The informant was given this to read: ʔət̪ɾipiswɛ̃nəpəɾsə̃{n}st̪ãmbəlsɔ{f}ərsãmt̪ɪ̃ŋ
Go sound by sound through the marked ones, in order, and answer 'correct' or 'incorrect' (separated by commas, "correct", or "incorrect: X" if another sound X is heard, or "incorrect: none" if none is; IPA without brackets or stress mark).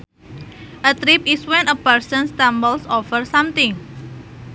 correct, correct